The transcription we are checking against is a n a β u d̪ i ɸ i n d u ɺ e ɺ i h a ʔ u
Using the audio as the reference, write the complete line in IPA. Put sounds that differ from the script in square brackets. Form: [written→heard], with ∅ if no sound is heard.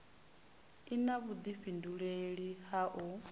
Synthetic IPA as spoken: [a→i] n a β u d̪ i ɸ i n d u ɺ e ɺ i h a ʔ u